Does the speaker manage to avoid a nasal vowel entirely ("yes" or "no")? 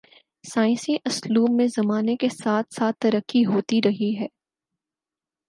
no